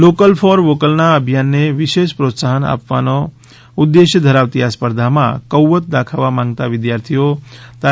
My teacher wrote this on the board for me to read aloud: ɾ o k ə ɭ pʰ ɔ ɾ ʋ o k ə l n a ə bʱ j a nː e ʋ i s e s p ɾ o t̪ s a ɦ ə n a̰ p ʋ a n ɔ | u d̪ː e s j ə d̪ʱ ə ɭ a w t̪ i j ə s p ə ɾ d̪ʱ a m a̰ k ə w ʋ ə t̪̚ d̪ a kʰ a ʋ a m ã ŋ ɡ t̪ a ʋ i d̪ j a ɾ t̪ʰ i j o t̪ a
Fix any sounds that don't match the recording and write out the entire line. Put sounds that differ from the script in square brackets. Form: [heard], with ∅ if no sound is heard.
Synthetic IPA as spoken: [l] o k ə [l] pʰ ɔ ɾ ʋ o k ə l n a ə bʱ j a nː e ʋ i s e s p ɾ o t̪ s a ɦ ə n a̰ p ʋ a n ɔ | u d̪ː e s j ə d̪ʱ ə [ɾ] a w t̪ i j [a] s p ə ɾ d̪ʱ a m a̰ k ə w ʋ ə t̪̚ d̪ a kʰ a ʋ a m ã ŋ ɡ t̪ a ʋ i d̪ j a ɾ t̪ʰ i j o t̪ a